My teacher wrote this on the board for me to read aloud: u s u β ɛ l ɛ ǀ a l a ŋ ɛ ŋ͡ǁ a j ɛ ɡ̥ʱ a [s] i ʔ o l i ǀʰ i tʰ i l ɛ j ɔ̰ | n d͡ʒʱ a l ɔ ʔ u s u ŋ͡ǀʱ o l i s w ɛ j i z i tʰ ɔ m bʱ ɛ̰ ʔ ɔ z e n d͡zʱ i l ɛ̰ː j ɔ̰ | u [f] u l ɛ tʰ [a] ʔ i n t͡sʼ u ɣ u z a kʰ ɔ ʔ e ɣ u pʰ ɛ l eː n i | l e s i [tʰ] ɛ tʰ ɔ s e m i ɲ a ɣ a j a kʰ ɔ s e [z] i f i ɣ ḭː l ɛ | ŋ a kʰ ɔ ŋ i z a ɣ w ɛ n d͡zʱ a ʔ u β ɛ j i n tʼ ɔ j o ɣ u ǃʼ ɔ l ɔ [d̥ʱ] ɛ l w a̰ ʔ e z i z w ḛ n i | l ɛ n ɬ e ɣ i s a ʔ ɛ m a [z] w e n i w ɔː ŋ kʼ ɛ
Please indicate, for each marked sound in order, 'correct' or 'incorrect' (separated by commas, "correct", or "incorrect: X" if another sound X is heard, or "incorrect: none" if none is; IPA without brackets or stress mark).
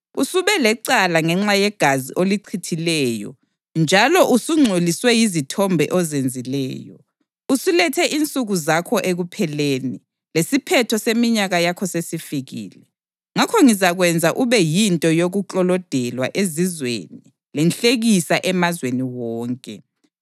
incorrect: z, incorrect: s, incorrect: ɛ, incorrect: pʰ, incorrect: s, correct, correct